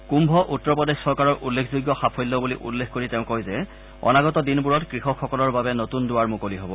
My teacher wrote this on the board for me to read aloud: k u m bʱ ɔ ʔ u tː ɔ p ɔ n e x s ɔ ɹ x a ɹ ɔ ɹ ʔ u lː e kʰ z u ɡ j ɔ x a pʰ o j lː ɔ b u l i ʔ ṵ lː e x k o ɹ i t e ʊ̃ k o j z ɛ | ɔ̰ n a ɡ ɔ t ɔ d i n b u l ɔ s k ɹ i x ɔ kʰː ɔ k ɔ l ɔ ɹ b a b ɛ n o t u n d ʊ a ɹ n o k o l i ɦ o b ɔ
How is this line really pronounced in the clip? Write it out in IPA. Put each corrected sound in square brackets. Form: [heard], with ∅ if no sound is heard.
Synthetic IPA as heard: k u m bʱ ɔ ʔ u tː ɔ p ɔ [d] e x s ɔ ɹ [k] a ɹ ɔ ɹ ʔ u lː e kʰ z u ɡ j ɔ x a pʰ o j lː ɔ b u l i ʔ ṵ lː e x k o ɹ i t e ʊ̃ k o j z ɛ | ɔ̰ n a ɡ ɔ t ɔ d i n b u [ɹ] ɔ [t] k ɹ i x ɔ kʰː ɔ k ɔ l ɔ ɹ b a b ɛ n o t u n d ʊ a ɹ [m] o k o l i ɦ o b ɔ